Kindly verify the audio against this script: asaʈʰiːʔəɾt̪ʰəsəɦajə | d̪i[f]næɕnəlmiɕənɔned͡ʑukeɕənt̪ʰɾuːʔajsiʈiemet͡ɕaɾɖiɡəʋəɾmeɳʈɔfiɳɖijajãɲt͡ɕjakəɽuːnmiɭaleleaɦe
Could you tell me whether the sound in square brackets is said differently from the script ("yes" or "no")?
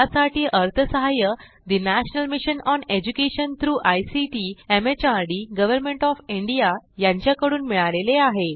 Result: yes